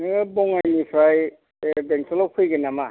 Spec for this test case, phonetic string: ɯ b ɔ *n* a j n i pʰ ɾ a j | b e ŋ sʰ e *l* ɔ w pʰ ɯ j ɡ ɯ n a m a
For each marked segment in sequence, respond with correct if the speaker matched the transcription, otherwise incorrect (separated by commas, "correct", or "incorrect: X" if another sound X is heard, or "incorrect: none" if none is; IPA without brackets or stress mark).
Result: incorrect: ŋ, correct